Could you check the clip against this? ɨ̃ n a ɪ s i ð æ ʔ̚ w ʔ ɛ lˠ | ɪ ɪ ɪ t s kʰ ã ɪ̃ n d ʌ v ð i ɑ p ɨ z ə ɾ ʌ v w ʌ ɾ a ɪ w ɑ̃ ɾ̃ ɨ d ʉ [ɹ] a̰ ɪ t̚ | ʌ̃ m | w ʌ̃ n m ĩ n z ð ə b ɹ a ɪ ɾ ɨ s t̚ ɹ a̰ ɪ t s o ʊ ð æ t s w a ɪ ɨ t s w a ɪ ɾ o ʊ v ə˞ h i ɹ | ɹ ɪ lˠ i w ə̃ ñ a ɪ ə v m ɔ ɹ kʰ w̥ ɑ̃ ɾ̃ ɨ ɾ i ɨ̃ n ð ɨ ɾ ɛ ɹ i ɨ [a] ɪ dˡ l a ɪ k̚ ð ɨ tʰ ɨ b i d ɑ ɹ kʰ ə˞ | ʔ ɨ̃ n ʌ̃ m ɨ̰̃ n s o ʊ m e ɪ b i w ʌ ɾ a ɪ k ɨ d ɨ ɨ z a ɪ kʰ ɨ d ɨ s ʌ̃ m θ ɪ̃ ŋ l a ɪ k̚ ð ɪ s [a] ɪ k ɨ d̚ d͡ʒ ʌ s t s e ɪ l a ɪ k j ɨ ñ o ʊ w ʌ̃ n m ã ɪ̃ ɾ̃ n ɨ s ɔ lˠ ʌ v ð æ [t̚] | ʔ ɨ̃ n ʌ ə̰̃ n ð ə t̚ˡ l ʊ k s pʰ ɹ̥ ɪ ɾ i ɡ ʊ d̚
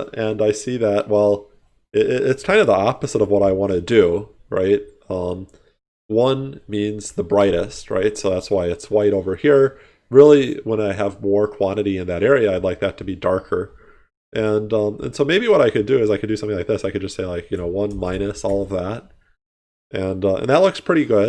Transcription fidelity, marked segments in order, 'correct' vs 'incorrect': correct, correct, correct, correct

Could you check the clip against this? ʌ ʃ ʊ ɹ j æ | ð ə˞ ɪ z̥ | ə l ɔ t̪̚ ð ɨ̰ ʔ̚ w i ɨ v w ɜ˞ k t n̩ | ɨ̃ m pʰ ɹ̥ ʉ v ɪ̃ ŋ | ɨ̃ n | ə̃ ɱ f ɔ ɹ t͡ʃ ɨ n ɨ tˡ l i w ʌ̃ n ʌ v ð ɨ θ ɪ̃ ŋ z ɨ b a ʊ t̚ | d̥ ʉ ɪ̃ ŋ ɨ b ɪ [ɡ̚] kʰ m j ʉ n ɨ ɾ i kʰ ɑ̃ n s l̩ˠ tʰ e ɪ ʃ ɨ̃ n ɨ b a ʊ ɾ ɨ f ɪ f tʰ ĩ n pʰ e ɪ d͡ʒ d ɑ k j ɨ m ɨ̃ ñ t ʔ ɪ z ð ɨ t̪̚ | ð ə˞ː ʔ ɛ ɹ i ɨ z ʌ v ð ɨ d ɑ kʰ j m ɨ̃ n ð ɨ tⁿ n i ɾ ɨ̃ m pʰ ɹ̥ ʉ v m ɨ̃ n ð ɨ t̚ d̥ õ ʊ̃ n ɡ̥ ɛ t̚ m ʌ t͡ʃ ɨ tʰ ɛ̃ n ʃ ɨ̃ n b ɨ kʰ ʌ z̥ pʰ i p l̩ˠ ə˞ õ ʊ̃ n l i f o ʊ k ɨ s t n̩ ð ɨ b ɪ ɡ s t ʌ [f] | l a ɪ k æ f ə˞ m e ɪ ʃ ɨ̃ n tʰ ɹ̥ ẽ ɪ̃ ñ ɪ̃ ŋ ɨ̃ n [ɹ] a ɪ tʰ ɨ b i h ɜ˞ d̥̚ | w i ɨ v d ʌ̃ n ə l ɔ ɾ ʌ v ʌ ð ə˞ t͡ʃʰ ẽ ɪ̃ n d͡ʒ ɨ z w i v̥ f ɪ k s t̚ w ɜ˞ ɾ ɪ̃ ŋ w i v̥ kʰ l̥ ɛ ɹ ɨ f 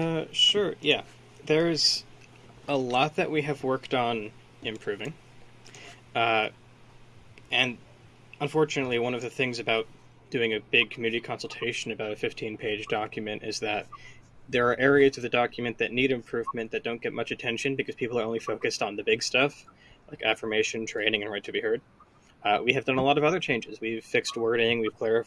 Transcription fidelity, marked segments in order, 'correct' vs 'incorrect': correct, correct, correct

